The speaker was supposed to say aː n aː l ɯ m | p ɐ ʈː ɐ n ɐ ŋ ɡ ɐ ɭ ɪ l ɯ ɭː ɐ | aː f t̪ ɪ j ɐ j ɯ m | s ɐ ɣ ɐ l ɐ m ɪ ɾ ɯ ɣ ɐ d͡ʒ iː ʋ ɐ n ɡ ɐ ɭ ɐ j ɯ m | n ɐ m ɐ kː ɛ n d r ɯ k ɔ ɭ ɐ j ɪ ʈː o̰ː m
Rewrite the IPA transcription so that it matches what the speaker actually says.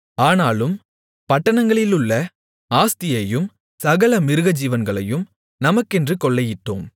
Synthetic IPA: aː n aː l ɯ m | p ɐ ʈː ɐ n ɐ ŋ ɡ ɐ ɭ ɪ l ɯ ɭː ɐ | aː s t̪ ɪ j ɐ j ɯ m | s ɐ ɣ ɐ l ɐ m ɪ ɾ ɯ ɣ ɐ d͡ʒ iː ʋ ɐ n ɡ ɐ ɭ ɐ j ɯ m | n ɐ m ɐ kː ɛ n d r ɯ k ɔ ɭː ɐ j ɪ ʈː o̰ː m

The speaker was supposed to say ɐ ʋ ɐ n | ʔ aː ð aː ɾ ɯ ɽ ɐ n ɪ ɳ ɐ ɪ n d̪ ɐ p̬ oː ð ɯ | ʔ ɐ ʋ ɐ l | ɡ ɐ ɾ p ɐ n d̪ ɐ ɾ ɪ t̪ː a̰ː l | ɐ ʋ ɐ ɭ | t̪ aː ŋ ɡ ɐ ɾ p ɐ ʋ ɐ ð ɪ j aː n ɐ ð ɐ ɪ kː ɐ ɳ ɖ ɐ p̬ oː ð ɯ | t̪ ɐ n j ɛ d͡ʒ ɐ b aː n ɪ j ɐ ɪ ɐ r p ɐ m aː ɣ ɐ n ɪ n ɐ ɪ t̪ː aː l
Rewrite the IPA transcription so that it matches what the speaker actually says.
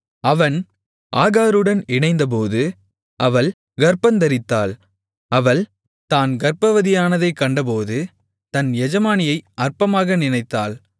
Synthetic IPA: ɐ ʋ ɐ n | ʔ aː ɣ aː ɾ ɯ ɽ ɐ n ɪ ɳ ɐ ɪ n d̪ ɐ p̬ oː ð ɯ | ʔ ɐ ʋ ɐ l | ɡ ɐ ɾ p ɐ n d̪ ɐ ɾ ɪ t̪ː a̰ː l | ɐ ʋ ɐ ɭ | t̪ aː n ɡ ɐ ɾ p ɐ ʋ ɐ ð ɪ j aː n ɐ ð ɐ ɪ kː ɐ ɳ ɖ ɐ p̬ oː ð ɯ | t̪ ɐ n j ɛ d͡ʒ ɐ m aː n ɪ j ɐ ɪ ɐ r p ɐ m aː ɣ ɐ n ɪ n ɐ ɪ t̪ː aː l

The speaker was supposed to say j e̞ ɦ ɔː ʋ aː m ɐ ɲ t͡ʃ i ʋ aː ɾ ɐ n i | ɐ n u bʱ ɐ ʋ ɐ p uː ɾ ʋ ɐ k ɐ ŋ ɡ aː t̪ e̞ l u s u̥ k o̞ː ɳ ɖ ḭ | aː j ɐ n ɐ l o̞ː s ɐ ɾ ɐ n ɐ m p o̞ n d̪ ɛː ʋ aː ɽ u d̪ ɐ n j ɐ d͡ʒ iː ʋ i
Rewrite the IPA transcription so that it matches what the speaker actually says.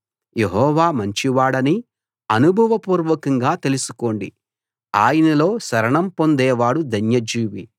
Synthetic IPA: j e̞ ɦ ɔː ʋ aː m ɐ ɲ t͡ʃ i ʋ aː ɽ ɐ n i | ɐ n u bʱ ɐ ʋ ɐ p uː ɾ ʋ ɐ k ɐ ŋ ɡ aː t̪ e̞ l u s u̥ k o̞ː ɳ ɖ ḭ | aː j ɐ n ɐ l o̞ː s ɐ ɾ ɐ ɳ ɐ m p o̞ n d̪ ɛː ʋ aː ɽ u d̪ ɐ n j ɐ d͡ʒ iː ʋ i

